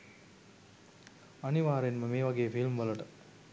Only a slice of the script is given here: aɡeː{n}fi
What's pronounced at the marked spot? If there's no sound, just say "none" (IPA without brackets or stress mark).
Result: none